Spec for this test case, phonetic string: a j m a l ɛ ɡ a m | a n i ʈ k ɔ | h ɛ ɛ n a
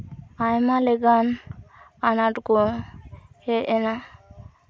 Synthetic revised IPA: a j m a l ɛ ɡ a n | a n a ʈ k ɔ | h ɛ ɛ n a